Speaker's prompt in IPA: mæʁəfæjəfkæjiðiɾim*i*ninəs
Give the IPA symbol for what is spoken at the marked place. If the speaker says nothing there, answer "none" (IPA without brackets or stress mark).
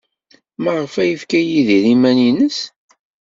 æ